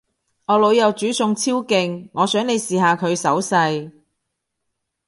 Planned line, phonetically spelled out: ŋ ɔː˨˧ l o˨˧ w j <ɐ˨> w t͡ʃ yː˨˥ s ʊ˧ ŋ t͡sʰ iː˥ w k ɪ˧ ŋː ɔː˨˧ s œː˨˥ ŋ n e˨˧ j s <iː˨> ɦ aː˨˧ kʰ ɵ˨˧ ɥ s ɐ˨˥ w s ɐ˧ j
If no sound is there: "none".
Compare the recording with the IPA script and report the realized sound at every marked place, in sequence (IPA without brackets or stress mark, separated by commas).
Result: ɐ˨, iː˨